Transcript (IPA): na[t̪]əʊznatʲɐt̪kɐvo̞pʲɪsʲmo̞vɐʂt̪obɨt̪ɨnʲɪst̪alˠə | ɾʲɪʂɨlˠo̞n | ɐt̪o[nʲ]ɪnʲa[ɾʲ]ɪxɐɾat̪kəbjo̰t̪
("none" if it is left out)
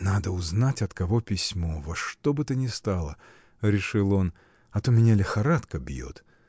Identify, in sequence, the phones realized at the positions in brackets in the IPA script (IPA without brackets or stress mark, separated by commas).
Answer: d̪, mʲ, lʲ